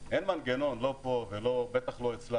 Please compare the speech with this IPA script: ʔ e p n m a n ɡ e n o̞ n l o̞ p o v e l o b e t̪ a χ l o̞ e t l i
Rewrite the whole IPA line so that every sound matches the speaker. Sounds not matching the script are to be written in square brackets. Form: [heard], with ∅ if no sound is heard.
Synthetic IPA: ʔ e [∅] n m a n ɡ e n o̞ n l o̞ p o v e l o b e t̪ a χ l o̞ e [t͡s] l [a]